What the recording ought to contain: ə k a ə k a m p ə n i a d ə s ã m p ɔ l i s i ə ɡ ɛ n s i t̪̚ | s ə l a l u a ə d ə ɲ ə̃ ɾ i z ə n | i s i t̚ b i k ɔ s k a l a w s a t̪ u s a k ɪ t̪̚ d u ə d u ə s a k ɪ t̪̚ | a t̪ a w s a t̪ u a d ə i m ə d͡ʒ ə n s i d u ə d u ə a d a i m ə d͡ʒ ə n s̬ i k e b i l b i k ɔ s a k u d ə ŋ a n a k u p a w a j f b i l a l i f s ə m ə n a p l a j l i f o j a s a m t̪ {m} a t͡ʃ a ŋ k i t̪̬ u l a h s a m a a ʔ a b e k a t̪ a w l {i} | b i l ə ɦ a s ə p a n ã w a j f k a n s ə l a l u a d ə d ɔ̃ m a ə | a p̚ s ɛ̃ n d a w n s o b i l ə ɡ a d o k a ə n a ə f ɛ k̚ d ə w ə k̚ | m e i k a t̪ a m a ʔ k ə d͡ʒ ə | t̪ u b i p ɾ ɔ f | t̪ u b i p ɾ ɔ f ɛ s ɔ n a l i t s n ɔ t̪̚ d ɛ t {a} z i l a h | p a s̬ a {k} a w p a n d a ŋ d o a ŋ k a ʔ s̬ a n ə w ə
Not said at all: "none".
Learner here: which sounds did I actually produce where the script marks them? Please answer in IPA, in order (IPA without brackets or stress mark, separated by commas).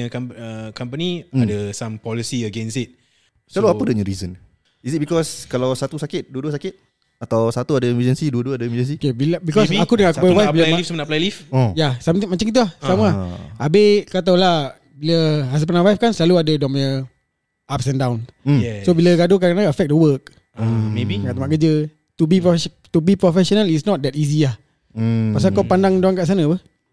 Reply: m, a, i, k